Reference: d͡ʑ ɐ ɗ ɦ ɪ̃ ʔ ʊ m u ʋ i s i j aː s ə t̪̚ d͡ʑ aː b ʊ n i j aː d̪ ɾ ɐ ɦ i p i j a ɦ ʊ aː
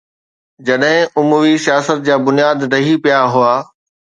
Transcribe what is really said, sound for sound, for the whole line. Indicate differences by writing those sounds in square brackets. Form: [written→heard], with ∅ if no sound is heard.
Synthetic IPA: d͡ʑ ɐ ɗ ɦ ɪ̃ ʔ ʊ m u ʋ i s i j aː s ə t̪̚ d͡ʑ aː b ʊ n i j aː d̪ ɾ ɐ ɦ i p i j a ɦ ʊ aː